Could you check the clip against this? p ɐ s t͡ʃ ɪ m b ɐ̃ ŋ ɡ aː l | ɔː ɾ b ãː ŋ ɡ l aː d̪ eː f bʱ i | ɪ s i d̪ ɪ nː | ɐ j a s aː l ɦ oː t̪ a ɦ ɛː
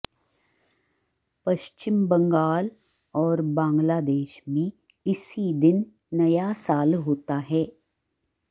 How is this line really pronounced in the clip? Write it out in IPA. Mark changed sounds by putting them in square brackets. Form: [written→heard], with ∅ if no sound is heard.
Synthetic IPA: p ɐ [s→ʃ] t͡ʃ ɪ m b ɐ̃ ŋ ɡ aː l | ɔː ɾ b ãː ŋ ɡ l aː d̪ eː [f→ʃ] bʱ i | ɪ s i d̪ ɪ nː | ɐ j a s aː l ɦ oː t̪ a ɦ ɛː